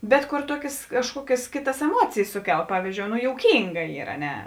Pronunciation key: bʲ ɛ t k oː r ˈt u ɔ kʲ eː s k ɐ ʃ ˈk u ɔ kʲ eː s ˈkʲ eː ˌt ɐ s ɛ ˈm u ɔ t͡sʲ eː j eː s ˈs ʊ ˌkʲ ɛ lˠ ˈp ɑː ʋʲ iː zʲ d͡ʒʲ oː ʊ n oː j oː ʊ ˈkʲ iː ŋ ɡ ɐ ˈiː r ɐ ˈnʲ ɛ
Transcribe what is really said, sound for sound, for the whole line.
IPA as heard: bʲ ɛ t k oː r ˈt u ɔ kʲ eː s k ɐ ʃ ˈk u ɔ kʲ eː s ˈkʲ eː ˌt ɐ s ɛ ˈm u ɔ t͡sʲ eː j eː s ˈs ʊ ˌkʲ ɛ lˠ ˈp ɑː ʋʲ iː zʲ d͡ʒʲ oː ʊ n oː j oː ʊ ˈkʲ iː ŋ ɡ ɐ ˈiː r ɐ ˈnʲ ɛ